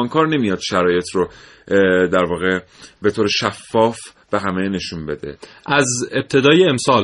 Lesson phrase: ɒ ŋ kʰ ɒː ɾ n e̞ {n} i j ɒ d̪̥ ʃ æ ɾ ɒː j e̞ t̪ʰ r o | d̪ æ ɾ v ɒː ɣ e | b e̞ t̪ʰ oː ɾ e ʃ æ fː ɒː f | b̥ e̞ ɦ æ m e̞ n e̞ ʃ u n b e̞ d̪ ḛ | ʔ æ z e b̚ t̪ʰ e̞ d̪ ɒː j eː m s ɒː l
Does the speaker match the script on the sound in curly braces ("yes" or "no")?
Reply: no